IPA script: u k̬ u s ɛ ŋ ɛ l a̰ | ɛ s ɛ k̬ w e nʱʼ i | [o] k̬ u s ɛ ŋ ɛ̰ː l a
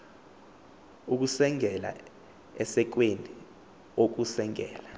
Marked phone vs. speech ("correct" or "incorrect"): correct